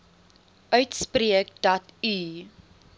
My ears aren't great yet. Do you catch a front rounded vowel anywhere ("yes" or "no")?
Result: yes